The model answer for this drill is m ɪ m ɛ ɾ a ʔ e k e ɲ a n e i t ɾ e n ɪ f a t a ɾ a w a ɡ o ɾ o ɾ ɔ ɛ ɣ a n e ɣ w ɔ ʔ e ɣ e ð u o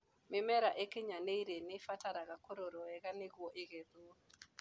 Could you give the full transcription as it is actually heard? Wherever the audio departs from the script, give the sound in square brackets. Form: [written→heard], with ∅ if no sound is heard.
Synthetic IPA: m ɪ m ɛ ɾ a ʔ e k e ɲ a n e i [t→∅] ɾ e n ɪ f a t a ɾ a [w→ɣ] a [ɡ→k] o ɾ o ɾ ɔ ɛ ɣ a n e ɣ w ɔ ʔ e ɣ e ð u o